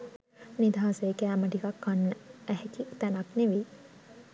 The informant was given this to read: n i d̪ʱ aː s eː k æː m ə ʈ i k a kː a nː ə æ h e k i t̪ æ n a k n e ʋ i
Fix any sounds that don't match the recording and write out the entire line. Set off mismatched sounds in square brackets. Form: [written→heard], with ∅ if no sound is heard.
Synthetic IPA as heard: n i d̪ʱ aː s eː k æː m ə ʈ i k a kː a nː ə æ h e k i t̪ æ n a k n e ʋ i